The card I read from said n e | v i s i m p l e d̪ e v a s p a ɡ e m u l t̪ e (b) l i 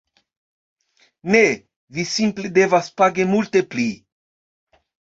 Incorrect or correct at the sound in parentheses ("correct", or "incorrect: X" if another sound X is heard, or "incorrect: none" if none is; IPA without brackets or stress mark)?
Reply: incorrect: p